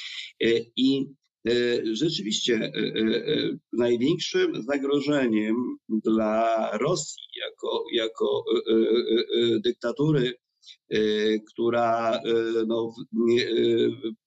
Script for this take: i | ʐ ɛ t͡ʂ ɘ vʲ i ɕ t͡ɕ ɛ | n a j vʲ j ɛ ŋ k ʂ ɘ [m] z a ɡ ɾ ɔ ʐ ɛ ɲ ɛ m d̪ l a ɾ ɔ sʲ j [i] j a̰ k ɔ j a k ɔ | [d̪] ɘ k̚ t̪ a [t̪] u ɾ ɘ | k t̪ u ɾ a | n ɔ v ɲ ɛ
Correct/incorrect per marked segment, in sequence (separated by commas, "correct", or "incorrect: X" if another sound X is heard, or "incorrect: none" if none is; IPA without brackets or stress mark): correct, correct, correct, correct